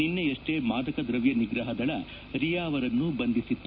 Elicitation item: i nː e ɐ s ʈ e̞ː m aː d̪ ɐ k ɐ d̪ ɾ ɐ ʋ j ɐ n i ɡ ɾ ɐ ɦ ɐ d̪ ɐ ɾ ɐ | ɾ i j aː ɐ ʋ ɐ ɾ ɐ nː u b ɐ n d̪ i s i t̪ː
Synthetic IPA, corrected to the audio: i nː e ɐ ʂ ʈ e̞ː m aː d̪ ɐ k ɐ d̪ ɾ ɐ ʋ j ɐ n i ɡ ɾ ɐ ɦ ɐ d̪ ɐ ɭ ɐ | ɾ i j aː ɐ ʋ ɐ ɾ ɐ nː u b ɐ n d̪ i s i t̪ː